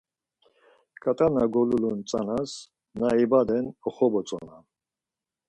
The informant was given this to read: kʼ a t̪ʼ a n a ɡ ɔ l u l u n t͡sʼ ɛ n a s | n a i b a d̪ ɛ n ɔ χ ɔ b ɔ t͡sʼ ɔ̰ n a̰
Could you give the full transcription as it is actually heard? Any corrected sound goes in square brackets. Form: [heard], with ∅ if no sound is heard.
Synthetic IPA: kʼ a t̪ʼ a n a ɡ ɔ l u l u n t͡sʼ [a] n a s | n a i b a d̪ ɛ n ɔ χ ɔ b ɔ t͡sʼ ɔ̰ n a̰